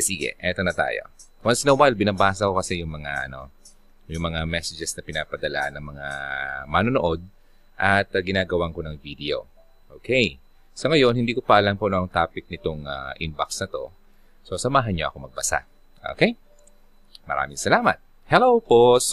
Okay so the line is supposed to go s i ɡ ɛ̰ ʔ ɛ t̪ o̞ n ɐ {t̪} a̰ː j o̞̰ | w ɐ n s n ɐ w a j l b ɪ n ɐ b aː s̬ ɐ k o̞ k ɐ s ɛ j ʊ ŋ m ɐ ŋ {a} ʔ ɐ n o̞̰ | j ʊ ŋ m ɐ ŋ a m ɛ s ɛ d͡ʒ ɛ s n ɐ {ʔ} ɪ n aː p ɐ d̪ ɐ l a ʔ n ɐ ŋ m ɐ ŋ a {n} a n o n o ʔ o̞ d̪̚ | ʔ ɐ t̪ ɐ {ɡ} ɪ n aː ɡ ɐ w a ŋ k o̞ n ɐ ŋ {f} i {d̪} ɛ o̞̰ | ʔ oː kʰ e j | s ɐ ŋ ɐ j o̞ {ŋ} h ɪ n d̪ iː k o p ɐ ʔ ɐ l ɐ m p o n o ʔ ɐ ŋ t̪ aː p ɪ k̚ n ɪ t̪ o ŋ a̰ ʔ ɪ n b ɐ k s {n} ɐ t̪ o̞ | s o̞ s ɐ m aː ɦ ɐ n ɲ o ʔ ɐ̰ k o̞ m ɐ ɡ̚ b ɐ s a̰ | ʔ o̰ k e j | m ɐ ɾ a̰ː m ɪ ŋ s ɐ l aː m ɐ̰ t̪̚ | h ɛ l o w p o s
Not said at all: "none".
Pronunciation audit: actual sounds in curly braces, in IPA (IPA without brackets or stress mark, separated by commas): t̪, a, p, m, ɡ, v, d̪, n, n